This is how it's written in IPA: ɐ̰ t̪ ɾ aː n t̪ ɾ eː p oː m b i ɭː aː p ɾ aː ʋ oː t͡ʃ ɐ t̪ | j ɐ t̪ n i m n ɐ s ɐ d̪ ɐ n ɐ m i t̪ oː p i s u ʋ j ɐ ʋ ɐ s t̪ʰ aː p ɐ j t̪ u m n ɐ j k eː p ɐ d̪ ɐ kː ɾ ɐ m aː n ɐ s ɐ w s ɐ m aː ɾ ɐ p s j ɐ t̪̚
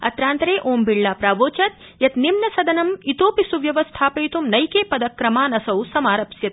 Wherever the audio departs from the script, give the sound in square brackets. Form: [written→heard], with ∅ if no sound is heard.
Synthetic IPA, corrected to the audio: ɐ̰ t̪ ɾ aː n t̪ ɾ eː [p→ʔ] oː m b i ɭː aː p ɾ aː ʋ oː t͡ʃ ɐ t̪ | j ɐ t̪ n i m n ɐ s ɐ d̪ ɐ n ɐ m i t̪ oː p i s u ʋ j ɐ ʋ ɐ s t̪ʰ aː p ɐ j t̪ u m n ɐ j k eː p ɐ d̪ ɐ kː ɾ ɐ m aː n ɐ s ɐ w s ɐ m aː ɾ ɐ p s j ɐ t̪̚